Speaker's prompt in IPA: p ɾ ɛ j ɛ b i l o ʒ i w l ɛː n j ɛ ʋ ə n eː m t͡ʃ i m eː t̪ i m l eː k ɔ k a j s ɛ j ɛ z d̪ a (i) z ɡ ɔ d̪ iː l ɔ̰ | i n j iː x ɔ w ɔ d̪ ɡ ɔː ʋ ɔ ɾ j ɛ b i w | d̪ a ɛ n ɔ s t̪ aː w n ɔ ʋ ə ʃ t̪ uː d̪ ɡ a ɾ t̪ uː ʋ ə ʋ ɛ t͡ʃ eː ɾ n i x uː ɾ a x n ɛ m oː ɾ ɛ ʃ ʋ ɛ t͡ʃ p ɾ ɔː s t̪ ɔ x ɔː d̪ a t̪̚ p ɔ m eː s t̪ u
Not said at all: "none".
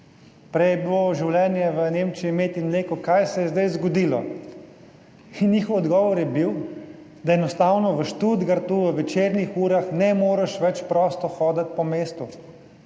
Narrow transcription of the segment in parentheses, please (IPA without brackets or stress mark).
j